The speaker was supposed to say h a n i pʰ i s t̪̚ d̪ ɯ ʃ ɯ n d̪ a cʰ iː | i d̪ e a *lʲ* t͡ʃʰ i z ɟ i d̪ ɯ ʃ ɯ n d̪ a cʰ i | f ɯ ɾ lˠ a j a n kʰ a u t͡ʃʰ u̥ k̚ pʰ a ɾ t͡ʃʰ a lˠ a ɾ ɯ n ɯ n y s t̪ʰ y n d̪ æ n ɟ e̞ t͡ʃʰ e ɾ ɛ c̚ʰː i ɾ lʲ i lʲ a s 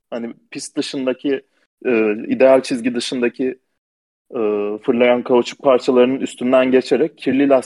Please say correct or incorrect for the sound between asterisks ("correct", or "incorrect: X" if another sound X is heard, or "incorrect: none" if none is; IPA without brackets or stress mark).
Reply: correct